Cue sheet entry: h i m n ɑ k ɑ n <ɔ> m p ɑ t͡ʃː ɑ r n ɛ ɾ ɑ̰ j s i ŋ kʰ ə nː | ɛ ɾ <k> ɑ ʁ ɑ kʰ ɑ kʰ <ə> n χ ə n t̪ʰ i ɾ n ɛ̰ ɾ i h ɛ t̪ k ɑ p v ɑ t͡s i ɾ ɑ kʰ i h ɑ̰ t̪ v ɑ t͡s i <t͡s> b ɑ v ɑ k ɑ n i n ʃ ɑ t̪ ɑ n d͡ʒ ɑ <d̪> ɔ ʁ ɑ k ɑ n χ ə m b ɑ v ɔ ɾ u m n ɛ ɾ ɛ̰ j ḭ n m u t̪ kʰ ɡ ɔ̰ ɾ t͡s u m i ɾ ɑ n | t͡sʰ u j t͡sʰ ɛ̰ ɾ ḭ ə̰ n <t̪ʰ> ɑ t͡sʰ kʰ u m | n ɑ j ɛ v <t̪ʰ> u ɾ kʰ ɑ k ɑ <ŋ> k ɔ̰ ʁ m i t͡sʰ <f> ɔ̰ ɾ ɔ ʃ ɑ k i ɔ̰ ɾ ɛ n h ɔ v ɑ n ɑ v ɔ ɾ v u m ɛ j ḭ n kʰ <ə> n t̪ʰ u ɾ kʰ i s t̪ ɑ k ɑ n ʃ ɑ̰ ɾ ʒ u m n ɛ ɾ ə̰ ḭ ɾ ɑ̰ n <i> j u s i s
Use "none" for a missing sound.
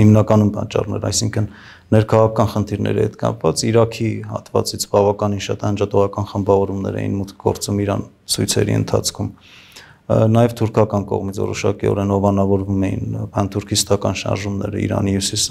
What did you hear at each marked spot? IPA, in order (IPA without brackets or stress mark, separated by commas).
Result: u, kʰ, ɑ, t͡sʰ, t̪, t̪ʰ, t̪ʰ, n, v, ɑ, i